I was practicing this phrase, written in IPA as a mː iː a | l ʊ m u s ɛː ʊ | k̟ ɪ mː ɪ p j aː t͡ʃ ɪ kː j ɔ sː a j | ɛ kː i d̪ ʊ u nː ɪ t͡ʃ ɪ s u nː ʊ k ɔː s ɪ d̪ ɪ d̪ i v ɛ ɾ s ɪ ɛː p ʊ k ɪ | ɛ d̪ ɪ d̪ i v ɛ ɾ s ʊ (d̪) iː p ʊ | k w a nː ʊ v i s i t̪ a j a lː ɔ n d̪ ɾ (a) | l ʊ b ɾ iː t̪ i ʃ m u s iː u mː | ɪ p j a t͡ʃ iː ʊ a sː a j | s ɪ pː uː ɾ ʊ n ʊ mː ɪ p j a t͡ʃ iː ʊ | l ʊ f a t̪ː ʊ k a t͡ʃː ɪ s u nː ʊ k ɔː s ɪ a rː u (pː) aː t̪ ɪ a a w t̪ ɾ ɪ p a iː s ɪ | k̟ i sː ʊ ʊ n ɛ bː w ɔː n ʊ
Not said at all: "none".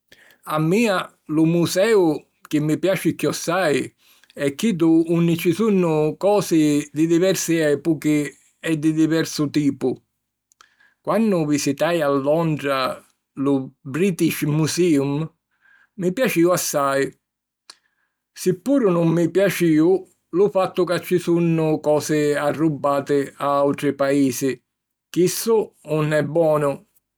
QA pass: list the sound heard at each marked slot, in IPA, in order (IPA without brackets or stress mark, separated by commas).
t̪, a, bː